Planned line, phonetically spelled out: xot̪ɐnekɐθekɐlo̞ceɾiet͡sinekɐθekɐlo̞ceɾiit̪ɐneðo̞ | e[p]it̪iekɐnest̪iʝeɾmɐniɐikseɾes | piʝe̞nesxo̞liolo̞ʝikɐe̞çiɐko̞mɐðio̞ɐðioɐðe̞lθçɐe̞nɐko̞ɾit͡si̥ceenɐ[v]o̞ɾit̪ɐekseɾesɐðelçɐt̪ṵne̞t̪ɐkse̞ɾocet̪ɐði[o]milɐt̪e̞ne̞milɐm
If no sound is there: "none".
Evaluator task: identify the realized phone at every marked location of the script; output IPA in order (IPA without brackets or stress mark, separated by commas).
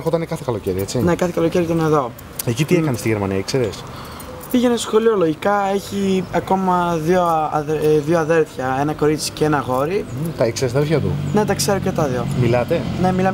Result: c, ɣ, o